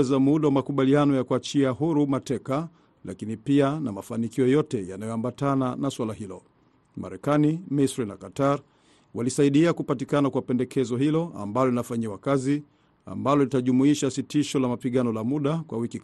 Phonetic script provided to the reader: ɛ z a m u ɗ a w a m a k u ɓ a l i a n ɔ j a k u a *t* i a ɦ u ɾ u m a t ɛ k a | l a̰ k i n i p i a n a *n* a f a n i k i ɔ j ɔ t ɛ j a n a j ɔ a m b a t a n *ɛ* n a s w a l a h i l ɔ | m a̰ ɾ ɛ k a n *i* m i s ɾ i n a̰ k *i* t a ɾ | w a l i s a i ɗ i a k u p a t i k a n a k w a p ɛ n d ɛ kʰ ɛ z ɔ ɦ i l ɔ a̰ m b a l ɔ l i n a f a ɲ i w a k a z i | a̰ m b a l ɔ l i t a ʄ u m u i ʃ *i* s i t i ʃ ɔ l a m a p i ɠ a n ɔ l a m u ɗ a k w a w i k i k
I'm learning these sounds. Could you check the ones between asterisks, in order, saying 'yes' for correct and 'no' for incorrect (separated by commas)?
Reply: no, no, no, yes, no, no